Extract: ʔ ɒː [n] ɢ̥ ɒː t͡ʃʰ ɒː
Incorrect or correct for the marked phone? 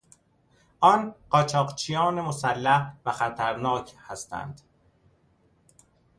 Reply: correct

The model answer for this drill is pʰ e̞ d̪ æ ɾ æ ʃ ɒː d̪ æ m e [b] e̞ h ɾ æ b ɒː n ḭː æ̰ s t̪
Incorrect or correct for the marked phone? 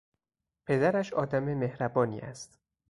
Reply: incorrect: m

